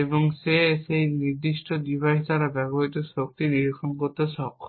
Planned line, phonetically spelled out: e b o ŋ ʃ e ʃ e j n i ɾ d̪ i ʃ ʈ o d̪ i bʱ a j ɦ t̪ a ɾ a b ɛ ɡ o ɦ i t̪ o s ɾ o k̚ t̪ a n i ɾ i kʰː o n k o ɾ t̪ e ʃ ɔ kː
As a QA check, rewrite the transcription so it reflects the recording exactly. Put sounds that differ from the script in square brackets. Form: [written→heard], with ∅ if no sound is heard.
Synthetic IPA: e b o ŋ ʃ e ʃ e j n i ɾ d̪ i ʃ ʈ o d̪ i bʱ a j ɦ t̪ a ɾ a b ɛ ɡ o ɦ i t̪ o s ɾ o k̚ t̪ [a→i] n i ɾ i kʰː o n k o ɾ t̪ e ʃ ɔ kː